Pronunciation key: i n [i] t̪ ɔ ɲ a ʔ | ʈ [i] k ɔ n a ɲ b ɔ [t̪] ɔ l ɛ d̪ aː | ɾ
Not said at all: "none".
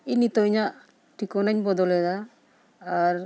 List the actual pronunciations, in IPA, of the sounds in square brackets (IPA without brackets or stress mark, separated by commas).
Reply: i, i, d̪